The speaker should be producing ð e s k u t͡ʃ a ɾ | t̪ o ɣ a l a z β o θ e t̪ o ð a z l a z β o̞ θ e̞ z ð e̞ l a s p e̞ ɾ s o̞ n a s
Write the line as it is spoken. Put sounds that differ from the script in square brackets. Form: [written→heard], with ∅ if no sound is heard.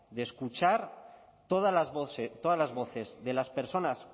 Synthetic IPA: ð e s k u t͡ʃ a ɾ | t̪ o [ɣ→ð] a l a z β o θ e t̪ o ð a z l a z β o̞ θ e̞ z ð e̞ l a s p e̞ ɾ s o̞ n a s